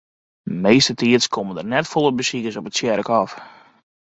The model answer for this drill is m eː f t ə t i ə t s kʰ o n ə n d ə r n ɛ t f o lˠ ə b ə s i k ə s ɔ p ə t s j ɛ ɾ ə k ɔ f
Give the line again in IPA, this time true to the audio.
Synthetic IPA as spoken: m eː s t ə t i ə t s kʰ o m ə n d ə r n ɛ t f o lˠ ə b ə s i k ə s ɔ p ə t s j ɛ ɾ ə k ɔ f